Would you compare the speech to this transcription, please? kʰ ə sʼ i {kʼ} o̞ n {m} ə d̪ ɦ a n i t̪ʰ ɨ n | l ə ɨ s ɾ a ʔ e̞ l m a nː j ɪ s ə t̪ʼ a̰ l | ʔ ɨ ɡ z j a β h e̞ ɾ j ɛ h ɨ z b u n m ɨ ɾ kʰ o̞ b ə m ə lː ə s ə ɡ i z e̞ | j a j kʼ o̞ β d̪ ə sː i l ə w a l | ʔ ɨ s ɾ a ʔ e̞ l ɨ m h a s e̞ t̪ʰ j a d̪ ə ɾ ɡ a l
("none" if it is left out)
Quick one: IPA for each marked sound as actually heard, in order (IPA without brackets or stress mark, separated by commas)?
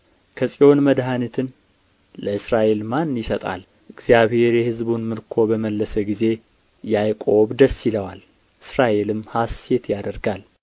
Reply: none, m